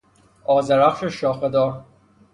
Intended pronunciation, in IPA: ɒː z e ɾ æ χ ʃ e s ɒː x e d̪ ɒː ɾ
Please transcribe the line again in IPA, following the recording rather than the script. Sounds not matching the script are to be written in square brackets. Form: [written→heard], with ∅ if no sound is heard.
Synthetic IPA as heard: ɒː z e ɾ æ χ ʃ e [s→ʃ] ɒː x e d̪ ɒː ɾ